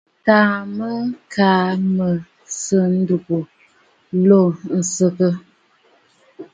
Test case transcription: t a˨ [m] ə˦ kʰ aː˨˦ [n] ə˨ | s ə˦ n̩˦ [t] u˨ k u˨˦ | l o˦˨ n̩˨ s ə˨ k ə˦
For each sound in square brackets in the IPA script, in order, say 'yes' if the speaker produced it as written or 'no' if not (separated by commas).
yes, no, no